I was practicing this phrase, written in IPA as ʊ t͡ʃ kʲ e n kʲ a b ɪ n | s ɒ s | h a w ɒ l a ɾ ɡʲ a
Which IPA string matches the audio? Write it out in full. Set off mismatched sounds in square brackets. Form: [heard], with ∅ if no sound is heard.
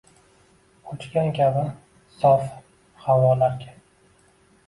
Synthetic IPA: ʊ t͡ʃ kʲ [a] n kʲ a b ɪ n | s ɒ [f] | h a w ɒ l a ɾ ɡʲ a